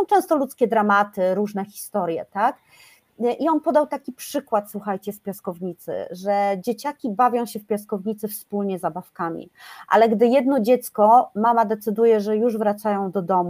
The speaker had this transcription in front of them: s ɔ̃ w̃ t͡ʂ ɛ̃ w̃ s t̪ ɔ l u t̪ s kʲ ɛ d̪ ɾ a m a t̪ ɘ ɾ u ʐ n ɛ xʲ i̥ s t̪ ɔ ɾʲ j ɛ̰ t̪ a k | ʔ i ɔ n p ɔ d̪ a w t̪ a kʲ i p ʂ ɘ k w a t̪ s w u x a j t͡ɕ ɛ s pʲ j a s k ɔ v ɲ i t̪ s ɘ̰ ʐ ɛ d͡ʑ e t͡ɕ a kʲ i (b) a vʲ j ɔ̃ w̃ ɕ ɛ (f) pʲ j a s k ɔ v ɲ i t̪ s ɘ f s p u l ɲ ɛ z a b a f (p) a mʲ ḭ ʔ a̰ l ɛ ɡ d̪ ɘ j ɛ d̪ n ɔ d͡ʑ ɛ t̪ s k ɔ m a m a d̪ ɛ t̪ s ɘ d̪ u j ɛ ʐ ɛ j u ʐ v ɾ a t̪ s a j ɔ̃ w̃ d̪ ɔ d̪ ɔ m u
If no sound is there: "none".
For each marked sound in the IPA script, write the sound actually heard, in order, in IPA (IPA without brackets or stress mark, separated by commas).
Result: b, f, k